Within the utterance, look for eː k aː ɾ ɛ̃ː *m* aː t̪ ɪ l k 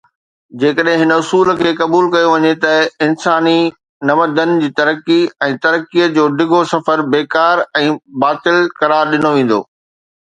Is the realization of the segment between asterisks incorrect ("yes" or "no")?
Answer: yes